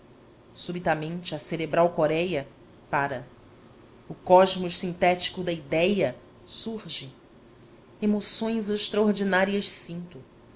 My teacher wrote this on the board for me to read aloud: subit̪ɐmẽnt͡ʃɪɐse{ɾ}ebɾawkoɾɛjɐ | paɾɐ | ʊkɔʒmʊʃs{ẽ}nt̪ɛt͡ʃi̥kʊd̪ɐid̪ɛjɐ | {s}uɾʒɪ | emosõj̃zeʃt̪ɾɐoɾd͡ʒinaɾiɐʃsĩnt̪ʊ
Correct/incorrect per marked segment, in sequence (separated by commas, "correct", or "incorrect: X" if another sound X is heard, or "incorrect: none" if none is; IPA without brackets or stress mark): correct, incorrect: ĩ, correct